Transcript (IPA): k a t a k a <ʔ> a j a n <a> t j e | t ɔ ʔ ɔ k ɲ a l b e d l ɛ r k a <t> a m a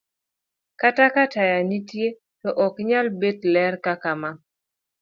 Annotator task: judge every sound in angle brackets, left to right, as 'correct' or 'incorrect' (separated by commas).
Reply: incorrect, incorrect, incorrect